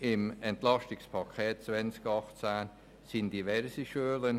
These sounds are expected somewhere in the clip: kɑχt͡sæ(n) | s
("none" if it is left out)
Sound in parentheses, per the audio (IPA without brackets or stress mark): n